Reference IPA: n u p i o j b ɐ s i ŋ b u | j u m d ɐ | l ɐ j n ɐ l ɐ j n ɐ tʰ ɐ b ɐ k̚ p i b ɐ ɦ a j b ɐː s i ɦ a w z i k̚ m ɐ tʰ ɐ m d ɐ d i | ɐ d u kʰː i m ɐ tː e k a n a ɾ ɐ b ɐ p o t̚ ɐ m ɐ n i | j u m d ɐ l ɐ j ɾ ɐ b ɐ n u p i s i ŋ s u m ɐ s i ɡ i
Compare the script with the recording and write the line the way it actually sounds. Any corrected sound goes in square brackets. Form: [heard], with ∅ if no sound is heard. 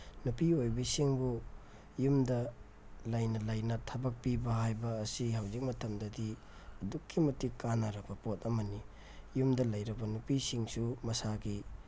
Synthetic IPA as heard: n u p i o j b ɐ s i ŋ b u | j u m d ɐ | l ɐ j n ɐ l ɐ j n ɐ tʰ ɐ b ɐ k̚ p i b ɐ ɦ a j b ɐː s i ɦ a w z i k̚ m ɐ tʰ ɐ m d ɐ d i | ɐ d u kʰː i m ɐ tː [i] k a n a ɾ ɐ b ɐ p o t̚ ɐ m ɐ n i | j u m d ɐ l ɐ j ɾ ɐ b ɐ n u p i s i ŋ s u m ɐ s [a] ɡ i

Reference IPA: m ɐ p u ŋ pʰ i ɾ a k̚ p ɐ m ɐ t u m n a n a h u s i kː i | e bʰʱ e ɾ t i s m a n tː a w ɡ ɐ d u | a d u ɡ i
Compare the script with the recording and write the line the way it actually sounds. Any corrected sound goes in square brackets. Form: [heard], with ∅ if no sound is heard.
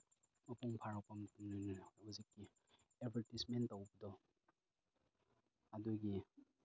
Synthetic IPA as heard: m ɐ p u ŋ pʰ [a] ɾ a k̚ p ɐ m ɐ t u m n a n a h u [z] i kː i | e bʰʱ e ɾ t i s m [e] n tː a w [b] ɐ d [ɔ] | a d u ɡ i

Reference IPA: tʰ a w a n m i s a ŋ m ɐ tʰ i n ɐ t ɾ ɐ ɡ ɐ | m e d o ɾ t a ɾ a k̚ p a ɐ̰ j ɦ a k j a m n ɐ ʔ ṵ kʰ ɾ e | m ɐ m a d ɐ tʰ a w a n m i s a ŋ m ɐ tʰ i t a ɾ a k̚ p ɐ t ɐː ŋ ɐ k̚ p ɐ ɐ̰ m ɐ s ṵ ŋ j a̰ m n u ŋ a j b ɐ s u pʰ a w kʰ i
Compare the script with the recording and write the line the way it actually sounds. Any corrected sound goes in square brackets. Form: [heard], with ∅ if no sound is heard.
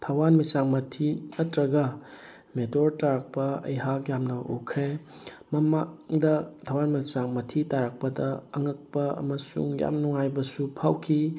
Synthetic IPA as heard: tʰ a w a n m i s a ŋ m ɐ tʰ i n ɐ t ɾ ɐ ɡ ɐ | m e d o ɾ t a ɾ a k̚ p [ɐ] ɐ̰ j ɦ a k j a m n ɐ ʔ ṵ kʰ ɾ e | m ɐ m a d ɐ tʰ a w a n m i s a ŋ m ɐ tʰ i t a ɾ a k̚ p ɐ [d] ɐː ŋ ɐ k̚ p ɐ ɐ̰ m ɐ s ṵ ŋ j a̰ m n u ŋ a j b ɐ s u pʰ a w kʰ i

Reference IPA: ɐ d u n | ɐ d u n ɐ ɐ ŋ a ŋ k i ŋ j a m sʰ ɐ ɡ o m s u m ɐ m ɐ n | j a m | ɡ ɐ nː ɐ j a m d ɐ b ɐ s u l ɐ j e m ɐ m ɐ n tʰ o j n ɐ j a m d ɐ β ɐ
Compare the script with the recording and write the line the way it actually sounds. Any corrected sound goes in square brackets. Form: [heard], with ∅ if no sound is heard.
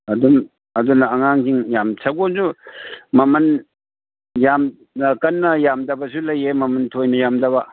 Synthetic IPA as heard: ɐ d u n | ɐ d u n ɐ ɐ ŋ a ŋ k i ŋ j a m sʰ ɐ ɡ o [n] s u m ɐ m ɐ n | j a m | [k] ɐ nː ɐ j a m d ɐ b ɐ s u l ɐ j e m ɐ m ɐ n tʰ o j n ɐ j a m d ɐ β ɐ

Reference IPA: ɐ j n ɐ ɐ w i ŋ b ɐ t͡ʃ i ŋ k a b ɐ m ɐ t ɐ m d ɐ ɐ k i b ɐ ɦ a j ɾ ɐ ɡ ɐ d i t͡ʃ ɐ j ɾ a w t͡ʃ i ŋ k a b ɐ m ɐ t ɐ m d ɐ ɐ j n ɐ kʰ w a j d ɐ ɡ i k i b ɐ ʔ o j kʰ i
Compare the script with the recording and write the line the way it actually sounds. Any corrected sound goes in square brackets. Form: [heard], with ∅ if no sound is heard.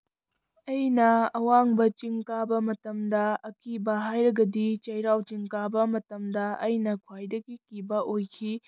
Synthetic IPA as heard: ɐ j n ɐ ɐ w [a] ŋ b ɐ t͡ʃ i ŋ k a b ɐ m ɐ t ɐ m d ɐ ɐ k i b ɐ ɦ a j ɾ ɐ ɡ ɐ d i t͡ʃ ɐ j ɾ a w t͡ʃ i ŋ k a b ɐ m ɐ t ɐ m d ɐ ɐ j n ɐ kʰ w a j d ɐ ɡ i k i b ɐ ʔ o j kʰ i

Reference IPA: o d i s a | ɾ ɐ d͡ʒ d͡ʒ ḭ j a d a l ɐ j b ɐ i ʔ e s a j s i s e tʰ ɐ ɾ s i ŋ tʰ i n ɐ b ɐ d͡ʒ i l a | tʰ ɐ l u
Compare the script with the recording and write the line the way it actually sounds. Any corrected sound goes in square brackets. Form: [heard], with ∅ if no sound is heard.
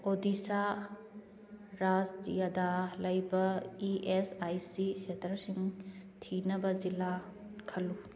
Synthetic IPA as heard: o d i s a | ɾ [a] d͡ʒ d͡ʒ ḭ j a d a l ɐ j b ɐ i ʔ e s a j s i s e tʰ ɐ ɾ s i ŋ tʰ i n ɐ b ɐ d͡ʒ i l a | [kʰ] ɐ l u

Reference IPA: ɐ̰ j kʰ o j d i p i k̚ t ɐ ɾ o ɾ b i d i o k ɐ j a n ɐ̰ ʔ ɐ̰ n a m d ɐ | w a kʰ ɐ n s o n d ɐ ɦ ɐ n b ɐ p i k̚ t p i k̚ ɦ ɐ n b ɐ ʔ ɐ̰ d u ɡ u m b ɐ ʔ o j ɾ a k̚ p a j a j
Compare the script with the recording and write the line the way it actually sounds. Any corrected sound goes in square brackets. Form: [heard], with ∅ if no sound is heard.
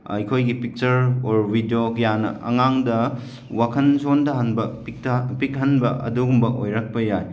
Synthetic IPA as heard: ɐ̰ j kʰ o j [ɡ] i p i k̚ [t͡ʃ] ɐ ɾ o ɾ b i d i o k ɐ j a n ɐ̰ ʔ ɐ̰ [ŋ] a [ŋ] d ɐ | w a kʰ ɐ n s o n d ɐ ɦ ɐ n b ɐ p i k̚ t p i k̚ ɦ ɐ n b ɐ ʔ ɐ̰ d u ɡ u m b ɐ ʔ o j ɾ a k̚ p [ɐ] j a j

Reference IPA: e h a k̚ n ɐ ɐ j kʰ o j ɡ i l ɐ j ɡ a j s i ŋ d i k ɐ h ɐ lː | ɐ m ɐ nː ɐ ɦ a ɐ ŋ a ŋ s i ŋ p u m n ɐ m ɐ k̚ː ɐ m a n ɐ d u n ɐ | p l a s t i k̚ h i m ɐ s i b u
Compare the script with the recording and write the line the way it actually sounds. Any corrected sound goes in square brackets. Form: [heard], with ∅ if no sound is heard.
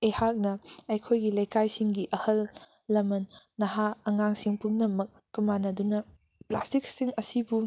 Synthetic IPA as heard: e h a k̚ n ɐ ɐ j kʰ o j ɡ i l ɐ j [k] a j s i ŋ [ɡ] i [ʔ] ɐ h ɐ lː | ɐ m ɐ nː ɐ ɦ a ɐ ŋ a ŋ s i ŋ p u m n ɐ m ɐ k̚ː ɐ m a n ɐ d u n ɐ | p l a s t i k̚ [s] i [ŋ] ɐ s i b u

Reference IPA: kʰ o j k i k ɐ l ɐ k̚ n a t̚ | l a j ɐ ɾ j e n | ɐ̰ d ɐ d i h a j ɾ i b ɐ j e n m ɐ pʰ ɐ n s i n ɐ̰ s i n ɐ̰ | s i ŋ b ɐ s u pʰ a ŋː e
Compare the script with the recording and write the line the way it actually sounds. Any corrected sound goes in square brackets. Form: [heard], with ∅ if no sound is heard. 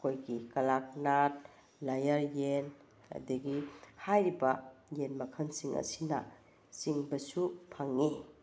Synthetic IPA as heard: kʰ o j [ɡ] i k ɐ l [a] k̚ n a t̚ | l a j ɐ ɾ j e n | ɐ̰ d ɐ [ɡ] i h a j ɾ i b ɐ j e n m ɐ [kʰ] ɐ n s i [ŋ] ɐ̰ s i n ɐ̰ | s i ŋ b ɐ s u pʰ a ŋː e

